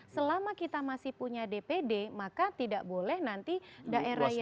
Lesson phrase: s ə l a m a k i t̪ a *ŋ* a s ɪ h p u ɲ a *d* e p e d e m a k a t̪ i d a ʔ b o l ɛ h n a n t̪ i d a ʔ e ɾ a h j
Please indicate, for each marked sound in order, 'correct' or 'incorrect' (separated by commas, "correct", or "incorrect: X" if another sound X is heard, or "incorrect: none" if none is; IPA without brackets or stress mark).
incorrect: m, correct